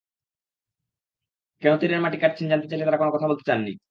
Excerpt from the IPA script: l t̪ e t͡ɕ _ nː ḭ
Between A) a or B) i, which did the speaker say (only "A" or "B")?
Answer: A